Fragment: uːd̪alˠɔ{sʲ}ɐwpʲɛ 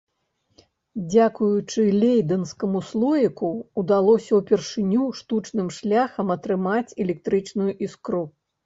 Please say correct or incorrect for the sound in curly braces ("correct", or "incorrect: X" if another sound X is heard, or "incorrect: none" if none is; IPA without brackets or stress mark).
correct